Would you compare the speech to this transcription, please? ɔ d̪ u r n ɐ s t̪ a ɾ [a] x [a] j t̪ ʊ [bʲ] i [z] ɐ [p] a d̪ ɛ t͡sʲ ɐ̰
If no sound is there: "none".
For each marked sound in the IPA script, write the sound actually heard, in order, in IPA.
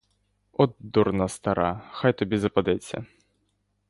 a, a, bʲ, z, p

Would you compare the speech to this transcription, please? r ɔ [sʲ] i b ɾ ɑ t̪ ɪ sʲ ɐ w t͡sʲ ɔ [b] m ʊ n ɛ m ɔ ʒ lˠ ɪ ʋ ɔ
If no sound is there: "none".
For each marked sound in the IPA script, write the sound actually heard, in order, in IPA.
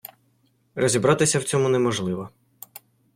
zʲ, none

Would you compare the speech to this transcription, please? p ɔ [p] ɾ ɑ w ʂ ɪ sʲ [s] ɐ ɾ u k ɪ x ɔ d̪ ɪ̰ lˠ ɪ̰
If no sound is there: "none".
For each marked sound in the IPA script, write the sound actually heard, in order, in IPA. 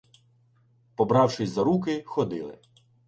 b, z

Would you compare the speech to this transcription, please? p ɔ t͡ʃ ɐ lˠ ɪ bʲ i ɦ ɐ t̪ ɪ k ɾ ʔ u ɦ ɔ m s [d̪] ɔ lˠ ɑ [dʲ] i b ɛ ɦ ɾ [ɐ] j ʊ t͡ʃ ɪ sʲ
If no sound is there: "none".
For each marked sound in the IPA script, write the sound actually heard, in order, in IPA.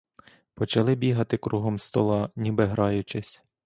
t̪, nʲ, ɑ

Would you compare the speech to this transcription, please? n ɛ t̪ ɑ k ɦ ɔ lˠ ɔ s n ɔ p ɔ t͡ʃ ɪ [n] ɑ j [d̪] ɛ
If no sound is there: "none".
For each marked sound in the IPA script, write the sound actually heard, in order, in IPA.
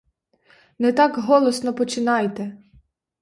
n, t̪

